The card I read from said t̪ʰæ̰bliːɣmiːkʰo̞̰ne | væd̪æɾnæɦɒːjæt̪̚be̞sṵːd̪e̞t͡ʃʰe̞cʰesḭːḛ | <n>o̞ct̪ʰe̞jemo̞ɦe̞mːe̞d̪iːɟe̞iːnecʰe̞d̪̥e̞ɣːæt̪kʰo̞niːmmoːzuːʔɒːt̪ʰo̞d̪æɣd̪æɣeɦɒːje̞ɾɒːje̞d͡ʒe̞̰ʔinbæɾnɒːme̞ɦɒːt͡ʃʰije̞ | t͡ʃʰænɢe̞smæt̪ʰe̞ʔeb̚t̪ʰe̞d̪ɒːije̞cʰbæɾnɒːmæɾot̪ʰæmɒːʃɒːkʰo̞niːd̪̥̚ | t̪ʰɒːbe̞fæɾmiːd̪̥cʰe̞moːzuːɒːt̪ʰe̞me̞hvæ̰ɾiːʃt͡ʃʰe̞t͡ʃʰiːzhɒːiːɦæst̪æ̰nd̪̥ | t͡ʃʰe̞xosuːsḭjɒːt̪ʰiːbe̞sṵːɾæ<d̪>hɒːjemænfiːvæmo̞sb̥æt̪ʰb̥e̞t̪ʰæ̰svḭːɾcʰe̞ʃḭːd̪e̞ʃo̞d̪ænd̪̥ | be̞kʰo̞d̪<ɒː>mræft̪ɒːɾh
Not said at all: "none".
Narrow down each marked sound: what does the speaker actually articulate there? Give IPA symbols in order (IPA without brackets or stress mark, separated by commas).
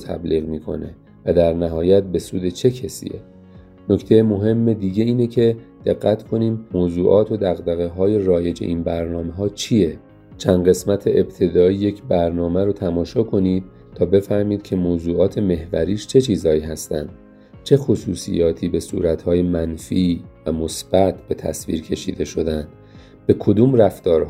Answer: n, t̪, uː